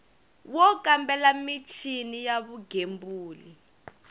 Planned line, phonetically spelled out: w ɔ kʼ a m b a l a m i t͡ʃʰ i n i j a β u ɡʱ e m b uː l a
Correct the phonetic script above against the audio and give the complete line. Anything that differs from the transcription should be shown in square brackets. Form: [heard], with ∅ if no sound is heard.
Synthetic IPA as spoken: w ɔ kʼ a m b [ɛ] l a m i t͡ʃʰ i n i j a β u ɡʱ e m b uː l [i]